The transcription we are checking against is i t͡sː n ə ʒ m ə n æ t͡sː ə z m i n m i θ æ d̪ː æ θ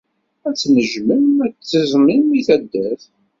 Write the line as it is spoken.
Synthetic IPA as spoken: æ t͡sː n ə ʒ m ə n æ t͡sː ə z m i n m i θ æ d̪ː æ θ

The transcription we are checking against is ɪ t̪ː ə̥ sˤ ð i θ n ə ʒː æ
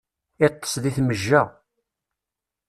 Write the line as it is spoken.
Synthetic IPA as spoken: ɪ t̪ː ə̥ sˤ ð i θ m ə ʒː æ

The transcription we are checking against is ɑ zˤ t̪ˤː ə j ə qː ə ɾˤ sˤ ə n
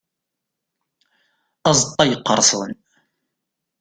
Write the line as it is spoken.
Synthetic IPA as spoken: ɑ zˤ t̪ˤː ɑ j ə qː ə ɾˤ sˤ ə n

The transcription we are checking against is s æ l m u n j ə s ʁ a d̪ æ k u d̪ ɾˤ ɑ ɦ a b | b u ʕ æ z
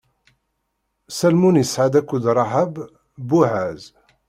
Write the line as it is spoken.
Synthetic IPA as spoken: s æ l m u n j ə s ʕ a d̪ æ k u d̪ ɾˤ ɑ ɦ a b | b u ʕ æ z

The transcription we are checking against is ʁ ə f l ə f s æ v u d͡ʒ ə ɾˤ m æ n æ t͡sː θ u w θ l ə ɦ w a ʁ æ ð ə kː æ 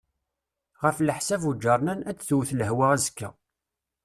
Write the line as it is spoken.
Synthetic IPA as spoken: ʁ ə f l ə ħ s æ v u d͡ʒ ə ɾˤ n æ n æ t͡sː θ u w θ l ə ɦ w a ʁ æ z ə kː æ

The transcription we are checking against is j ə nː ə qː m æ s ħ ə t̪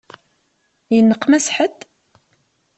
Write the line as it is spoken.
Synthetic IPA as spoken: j ə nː ə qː m æ s ħ ə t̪

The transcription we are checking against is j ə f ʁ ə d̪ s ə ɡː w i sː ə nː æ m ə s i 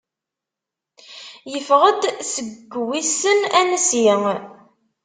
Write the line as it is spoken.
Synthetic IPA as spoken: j ə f ʁ ə d̪ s ə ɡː w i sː ə n æ n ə s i

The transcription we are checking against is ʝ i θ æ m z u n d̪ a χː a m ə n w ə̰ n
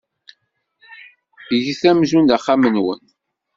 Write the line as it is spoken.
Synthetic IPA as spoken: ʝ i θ æ m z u n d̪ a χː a m ə n w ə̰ n

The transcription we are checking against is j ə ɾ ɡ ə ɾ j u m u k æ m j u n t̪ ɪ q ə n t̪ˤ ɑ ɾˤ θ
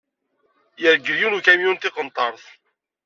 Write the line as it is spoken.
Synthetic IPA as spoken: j ə ɾ ɡ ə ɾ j u n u k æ m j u n t̪ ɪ q ə n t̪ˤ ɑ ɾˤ θ

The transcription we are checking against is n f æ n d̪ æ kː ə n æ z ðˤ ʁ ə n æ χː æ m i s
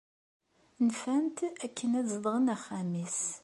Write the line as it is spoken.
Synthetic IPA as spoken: n f æ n t̪ æ kː ə n æ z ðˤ ʁ ə n æ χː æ m i s

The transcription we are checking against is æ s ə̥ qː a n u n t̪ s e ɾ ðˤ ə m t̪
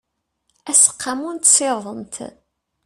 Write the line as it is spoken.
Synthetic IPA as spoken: æ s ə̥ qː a m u n t̪ s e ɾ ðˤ ə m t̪

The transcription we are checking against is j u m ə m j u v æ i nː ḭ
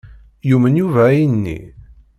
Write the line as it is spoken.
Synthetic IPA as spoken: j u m ə n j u v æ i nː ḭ

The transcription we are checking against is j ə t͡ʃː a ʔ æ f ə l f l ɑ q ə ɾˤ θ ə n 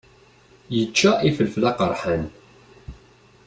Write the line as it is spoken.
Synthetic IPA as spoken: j ə t͡ʃː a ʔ i f ə l f l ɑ q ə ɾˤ ħ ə n

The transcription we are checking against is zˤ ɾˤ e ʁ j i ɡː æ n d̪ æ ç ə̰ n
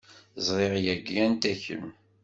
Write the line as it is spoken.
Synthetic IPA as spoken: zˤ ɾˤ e ʁ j æ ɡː æ n t̪ æ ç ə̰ m

